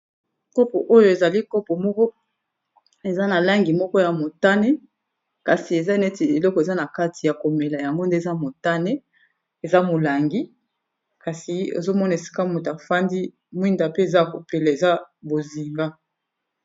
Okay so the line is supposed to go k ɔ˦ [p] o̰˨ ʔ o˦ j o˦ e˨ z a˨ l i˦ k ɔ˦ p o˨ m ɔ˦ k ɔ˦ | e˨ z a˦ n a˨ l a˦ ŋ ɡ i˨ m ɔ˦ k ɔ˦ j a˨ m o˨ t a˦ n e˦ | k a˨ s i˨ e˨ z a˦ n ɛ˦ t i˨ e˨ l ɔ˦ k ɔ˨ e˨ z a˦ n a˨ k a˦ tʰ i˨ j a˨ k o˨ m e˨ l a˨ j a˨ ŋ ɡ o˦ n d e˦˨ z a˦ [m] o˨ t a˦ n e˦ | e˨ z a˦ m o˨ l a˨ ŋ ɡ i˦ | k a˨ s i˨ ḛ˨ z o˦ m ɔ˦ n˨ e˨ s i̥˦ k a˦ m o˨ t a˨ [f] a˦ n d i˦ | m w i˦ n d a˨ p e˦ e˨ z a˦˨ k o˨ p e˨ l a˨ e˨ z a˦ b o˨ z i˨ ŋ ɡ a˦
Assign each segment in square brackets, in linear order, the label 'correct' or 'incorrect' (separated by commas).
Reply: correct, correct, correct